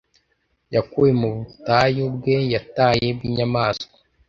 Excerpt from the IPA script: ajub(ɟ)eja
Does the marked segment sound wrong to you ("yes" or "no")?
yes